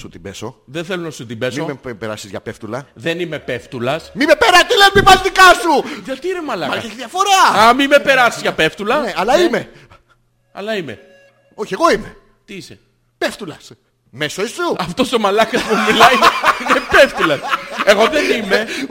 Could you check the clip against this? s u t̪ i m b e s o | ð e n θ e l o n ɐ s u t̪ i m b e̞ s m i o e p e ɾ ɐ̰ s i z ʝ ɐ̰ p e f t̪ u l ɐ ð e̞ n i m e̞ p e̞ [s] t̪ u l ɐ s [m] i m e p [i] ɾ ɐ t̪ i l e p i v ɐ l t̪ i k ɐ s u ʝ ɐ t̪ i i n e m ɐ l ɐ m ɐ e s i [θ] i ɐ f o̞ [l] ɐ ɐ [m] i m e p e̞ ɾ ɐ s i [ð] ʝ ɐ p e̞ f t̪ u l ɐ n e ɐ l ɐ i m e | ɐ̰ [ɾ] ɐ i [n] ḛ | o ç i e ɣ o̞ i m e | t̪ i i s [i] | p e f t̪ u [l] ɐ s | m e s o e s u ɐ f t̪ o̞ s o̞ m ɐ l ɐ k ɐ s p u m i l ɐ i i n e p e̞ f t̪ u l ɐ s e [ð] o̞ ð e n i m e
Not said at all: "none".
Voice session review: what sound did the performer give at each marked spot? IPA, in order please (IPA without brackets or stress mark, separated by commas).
f, m, e, ð, ɾ, m, z, l, m, e, l, ɣ